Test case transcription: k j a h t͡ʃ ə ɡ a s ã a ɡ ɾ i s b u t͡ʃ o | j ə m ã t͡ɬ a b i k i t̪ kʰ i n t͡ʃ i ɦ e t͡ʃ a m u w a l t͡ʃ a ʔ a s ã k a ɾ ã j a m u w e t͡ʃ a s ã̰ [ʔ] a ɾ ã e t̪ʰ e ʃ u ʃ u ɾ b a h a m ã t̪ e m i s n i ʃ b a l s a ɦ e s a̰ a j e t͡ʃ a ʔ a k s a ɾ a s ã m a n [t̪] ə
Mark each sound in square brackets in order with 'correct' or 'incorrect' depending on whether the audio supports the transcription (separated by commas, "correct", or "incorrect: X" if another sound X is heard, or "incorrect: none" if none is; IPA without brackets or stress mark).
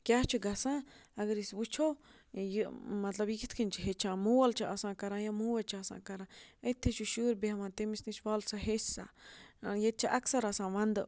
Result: incorrect: k, incorrect: d̪